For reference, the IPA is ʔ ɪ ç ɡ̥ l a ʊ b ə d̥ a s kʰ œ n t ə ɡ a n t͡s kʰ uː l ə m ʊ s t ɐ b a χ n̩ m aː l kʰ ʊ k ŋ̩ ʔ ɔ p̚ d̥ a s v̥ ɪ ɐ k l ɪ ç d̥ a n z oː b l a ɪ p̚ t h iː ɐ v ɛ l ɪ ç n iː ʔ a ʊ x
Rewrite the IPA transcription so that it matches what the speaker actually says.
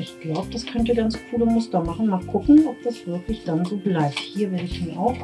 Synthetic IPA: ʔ ɪ ç ɡ̥ l a ʊ b ə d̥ a s kʰ œ n t ə ɡ a n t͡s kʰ uː l ə m ʊ s t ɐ m a χ n̩ m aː l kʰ ʊ k ŋ̩ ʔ ɔ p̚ d̥ a s v̥ ɪ ɐ k l ɪ ç d̥ a n z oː b l a ɪ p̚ t h iː ɐ v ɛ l ɪ ç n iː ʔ a ʊ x